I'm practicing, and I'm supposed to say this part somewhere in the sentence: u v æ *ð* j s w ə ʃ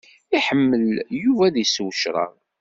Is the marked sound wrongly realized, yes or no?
no